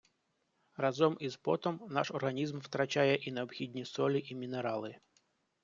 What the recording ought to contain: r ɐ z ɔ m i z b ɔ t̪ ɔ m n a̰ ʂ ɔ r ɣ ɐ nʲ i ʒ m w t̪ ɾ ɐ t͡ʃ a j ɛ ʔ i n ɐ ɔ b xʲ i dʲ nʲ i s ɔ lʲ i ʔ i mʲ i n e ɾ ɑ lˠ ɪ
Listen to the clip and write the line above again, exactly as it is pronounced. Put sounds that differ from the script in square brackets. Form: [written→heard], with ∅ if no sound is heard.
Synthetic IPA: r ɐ z ɔ m i z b ɔ t̪ ɔ m n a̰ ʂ ɔ r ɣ ɐ nʲ i [ʒ→z] m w t̪ ɾ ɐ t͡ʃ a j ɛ ʔ i n ɐ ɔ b xʲ i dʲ nʲ i s ɔ lʲ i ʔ i mʲ i n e ɾ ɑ lˠ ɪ